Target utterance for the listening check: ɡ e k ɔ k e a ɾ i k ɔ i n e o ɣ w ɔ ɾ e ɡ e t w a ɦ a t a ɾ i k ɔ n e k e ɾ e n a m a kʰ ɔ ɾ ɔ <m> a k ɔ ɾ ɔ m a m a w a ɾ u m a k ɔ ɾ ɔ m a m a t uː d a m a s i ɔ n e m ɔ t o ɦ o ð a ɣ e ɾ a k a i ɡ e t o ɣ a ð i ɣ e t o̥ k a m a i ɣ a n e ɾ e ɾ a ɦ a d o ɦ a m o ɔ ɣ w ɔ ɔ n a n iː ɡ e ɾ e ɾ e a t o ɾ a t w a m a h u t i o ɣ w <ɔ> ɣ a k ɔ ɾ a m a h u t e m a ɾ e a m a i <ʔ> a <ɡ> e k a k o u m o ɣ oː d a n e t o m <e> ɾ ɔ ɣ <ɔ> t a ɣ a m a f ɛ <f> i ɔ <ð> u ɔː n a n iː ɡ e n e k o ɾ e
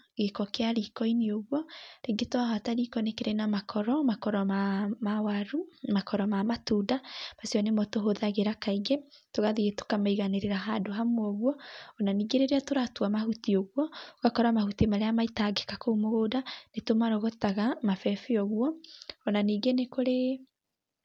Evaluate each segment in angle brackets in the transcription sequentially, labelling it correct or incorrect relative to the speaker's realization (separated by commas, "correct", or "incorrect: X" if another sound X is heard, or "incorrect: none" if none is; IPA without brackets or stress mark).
correct, correct, incorrect: t, correct, incorrect: a, correct, correct, incorrect: ɣ